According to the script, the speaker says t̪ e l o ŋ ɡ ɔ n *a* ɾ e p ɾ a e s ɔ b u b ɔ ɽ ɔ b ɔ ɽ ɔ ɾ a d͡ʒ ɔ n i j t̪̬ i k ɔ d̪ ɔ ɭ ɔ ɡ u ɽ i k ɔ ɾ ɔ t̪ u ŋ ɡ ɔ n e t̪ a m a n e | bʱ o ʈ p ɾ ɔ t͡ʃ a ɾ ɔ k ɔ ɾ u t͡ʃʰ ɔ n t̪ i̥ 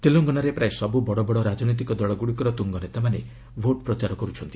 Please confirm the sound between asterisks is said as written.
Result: yes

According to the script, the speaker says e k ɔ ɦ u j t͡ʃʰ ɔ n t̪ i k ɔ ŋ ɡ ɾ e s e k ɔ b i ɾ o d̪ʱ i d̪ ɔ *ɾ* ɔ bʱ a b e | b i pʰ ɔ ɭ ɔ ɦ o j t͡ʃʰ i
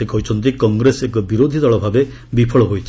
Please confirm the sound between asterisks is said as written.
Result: no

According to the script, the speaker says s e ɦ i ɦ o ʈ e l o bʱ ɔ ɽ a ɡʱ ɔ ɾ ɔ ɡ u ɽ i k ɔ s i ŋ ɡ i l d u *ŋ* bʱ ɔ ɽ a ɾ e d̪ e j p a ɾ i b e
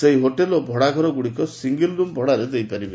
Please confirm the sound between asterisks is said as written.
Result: no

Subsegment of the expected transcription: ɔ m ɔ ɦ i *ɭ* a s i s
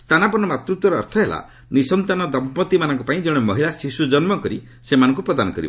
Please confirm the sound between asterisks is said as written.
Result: no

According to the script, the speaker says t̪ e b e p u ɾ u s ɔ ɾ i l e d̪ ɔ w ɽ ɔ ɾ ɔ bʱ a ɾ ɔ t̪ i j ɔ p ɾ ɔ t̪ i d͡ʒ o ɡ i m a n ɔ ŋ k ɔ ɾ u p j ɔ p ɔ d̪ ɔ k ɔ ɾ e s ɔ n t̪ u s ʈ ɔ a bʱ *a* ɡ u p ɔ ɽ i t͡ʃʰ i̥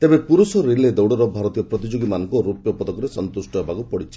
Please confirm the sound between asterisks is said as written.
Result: yes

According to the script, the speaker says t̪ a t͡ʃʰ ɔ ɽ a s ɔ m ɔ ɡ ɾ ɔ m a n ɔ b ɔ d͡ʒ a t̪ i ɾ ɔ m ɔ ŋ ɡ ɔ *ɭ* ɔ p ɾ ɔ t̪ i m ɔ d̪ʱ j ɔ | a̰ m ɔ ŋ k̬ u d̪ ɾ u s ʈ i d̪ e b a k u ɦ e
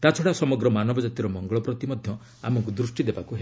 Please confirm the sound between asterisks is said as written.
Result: yes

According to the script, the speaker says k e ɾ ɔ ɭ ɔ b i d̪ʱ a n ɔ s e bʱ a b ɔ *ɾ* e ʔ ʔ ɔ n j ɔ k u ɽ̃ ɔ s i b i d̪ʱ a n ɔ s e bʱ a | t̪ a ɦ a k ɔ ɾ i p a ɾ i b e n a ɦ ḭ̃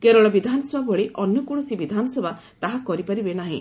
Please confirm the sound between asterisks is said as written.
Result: no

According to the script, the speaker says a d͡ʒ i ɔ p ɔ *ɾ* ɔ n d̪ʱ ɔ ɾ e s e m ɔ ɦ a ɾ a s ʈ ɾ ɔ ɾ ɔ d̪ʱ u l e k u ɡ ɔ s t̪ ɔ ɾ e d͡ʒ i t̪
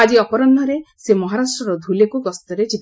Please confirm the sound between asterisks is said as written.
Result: yes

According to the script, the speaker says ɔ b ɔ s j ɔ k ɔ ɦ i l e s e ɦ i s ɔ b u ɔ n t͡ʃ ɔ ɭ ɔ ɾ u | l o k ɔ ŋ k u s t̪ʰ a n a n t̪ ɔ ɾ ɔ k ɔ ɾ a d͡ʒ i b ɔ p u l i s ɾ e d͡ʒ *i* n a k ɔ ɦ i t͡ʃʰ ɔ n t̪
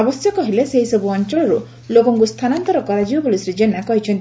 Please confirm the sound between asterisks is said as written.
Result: no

